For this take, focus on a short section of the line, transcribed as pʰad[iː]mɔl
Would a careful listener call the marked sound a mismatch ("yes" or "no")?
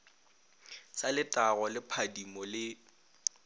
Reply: yes